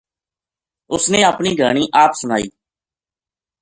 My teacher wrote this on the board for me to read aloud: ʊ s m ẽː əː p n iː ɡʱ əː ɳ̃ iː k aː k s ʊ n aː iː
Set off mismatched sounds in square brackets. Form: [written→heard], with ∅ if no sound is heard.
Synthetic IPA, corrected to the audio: ʊ s [m→n] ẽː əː p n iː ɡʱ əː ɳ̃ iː [k→ʔ] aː [k→p] s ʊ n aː iː